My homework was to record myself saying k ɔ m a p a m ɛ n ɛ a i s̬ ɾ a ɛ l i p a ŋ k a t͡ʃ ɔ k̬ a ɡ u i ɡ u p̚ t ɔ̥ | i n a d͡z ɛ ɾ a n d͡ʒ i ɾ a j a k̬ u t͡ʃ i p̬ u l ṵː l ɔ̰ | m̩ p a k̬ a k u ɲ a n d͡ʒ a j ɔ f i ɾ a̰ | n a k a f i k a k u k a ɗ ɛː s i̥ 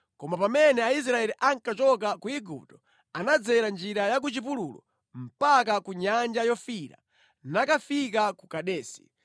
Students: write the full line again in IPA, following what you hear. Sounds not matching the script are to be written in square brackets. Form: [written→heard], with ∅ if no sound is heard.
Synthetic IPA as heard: k ɔ m a p a m ɛ n ɛ a i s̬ ɾ a ɛ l i [p→ʔ] a ŋ k a t͡ʃ ɔ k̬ a [ɡ→k] u i ɡ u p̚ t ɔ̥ | [i→a] n a d͡z ɛ ɾ a n d͡ʒ i ɾ a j a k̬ u t͡ʃ i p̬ u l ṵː l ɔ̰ | m̩ p a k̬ a k u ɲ a n d͡ʒ a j ɔ f i ɾ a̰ | n a k a f i k a k u k a ɗ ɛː s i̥